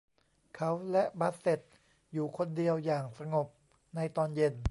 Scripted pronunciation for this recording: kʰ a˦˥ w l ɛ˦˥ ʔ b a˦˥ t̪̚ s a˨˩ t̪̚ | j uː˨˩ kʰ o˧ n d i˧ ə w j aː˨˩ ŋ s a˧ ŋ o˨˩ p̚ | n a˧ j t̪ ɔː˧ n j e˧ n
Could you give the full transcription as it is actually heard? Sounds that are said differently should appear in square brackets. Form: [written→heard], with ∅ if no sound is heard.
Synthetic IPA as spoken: kʰ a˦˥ w l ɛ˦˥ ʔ b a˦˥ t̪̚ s [a˨˩→e˨˩] t̪̚ | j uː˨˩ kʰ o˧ n d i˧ ə w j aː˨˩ ŋ s a˧ ŋ o˨˩ p̚ | n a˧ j t̪ ɔː˧ n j e˧ n